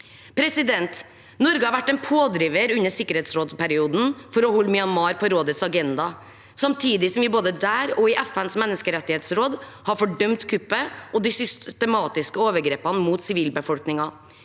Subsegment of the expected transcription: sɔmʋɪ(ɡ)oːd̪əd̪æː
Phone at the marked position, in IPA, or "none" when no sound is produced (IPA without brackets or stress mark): b